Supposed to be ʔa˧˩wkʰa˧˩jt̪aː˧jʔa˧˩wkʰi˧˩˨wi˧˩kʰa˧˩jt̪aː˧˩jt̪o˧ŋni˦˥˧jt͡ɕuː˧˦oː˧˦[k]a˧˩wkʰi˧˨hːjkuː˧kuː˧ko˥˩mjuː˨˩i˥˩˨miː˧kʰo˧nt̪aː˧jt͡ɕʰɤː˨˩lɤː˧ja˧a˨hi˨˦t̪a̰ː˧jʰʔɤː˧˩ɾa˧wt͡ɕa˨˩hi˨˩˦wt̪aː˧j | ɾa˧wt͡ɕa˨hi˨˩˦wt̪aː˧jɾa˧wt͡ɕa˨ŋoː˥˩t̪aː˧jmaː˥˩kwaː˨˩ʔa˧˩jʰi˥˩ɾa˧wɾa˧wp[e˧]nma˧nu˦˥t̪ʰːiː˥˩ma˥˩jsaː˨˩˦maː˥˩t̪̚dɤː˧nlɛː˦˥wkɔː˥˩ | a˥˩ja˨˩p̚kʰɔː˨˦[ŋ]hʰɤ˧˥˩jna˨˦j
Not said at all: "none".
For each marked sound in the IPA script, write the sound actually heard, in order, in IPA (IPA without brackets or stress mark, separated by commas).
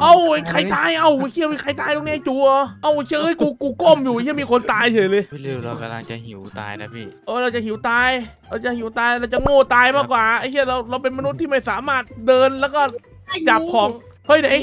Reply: ʔ, e˧, ŋ